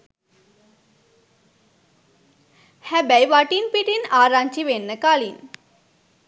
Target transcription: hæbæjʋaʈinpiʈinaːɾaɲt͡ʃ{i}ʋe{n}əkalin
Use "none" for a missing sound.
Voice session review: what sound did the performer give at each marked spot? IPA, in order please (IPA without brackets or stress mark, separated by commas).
i, nː